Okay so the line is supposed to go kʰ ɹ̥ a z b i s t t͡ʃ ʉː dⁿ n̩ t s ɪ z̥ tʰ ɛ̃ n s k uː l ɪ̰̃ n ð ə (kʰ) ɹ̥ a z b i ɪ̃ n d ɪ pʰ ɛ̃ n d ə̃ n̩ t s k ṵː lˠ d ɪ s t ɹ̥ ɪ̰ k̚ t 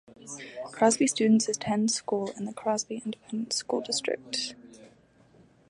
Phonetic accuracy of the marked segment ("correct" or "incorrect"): correct